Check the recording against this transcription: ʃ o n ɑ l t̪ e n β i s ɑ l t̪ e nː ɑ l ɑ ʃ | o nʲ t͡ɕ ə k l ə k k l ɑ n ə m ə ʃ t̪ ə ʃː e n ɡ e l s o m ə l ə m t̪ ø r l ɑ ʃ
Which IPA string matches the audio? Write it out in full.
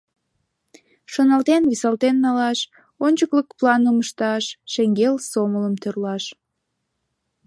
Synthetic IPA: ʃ o n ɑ l t̪ e n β i s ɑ l t̪ e nː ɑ l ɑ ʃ | o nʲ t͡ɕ ə k l ə k p l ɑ n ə m ə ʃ t̪ ɑ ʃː e ŋ ɡ e l s o m ə l ə m t̪ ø r l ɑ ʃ